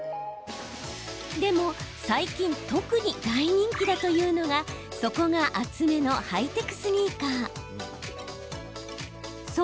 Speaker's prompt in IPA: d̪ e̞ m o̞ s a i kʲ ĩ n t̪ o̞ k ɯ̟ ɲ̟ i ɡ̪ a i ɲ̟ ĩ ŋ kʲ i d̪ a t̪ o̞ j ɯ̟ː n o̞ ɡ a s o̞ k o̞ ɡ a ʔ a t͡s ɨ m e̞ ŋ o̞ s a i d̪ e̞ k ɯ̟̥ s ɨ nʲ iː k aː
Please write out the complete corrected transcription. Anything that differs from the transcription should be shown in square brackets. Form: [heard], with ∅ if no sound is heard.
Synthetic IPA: d̪ e̞ m o̞ s a i kʲ ĩ n t̪ o̞ k ɯ̟ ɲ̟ i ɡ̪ a i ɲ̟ ĩ ŋ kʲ i d̪ a t̪ o̞ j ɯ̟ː n o̞ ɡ a s o̞ k o̞ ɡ a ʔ a t͡s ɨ m e̞ [n] o̞ [h] a i [t̪] e̞ k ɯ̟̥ s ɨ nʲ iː k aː